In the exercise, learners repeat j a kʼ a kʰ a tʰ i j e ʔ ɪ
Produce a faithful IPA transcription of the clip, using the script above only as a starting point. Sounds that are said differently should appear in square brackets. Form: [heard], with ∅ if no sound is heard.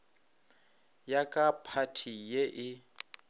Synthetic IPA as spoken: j a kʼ a [pʰ] a tʰ i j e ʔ ɪ

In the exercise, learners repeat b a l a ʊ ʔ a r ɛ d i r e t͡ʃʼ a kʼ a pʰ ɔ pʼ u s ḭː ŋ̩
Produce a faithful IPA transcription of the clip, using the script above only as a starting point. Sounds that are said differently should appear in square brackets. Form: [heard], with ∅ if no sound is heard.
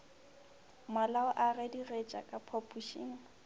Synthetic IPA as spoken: [m] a l a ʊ ʔ a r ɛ d i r e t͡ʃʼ a kʼ a pʰ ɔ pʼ u [ʃ] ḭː ŋ̩

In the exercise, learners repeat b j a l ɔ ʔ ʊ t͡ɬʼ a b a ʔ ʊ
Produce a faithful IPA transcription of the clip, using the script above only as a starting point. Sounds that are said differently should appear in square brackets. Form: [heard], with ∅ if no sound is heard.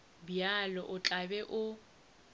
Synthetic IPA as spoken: b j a l ɔ ʔ ʊ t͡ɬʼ a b [ɛ] ʔ ʊ

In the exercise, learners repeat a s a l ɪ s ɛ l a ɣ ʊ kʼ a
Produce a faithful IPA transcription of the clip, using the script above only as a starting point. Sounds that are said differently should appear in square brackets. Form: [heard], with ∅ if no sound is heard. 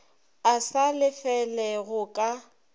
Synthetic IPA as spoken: a s a l ɪ [f] ɛ l [ɛ] ɣ ʊ kʼ a

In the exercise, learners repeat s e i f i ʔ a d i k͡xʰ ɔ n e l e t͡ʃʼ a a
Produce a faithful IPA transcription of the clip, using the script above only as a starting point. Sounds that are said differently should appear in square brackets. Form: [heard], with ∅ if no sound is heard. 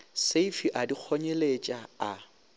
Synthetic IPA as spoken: s e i f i ʔ a d i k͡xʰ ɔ [ɲ] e l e t͡ʃʼ a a

